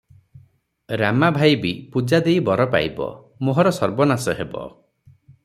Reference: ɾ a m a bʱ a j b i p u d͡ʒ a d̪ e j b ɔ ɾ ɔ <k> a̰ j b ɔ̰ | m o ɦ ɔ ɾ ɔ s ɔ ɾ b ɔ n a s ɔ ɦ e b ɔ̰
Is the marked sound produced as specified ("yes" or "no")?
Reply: no